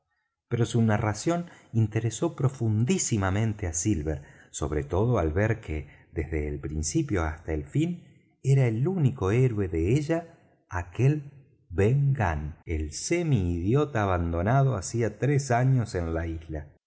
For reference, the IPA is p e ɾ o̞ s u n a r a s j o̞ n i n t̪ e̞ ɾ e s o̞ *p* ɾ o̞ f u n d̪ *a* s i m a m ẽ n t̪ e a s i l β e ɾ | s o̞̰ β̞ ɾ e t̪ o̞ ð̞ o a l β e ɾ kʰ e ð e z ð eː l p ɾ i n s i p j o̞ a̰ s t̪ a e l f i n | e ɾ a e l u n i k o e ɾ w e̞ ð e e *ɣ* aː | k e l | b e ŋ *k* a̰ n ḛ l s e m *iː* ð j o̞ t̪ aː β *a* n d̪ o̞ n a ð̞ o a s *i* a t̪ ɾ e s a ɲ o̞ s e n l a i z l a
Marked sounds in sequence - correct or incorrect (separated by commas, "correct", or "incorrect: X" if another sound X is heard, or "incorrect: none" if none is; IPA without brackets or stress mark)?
correct, incorrect: i, incorrect: ʒ, incorrect: ɡ, correct, correct, correct